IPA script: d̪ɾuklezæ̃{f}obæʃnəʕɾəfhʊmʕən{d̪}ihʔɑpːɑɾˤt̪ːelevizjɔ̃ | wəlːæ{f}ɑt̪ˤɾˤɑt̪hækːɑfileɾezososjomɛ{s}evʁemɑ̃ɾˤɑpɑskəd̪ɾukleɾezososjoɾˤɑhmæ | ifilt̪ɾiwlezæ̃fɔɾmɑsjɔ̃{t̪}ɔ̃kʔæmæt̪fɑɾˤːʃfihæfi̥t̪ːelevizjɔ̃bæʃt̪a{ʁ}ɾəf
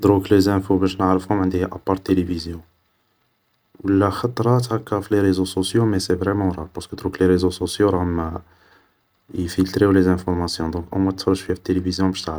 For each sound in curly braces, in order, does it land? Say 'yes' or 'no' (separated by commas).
yes, yes, no, yes, no, no